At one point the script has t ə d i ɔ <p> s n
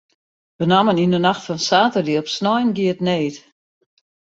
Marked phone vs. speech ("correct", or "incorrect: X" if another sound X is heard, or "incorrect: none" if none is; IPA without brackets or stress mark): correct